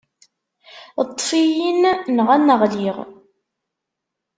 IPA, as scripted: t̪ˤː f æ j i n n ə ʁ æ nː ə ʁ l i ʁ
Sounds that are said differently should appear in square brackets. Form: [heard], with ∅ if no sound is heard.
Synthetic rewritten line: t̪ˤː f [i] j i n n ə ʁ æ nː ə ʁ l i ʁ